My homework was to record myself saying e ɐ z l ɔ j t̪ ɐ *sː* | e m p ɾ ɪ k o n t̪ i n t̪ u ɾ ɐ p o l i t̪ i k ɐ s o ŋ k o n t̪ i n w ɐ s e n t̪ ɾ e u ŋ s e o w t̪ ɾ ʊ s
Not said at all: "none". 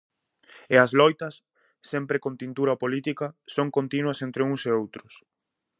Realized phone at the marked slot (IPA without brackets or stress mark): sː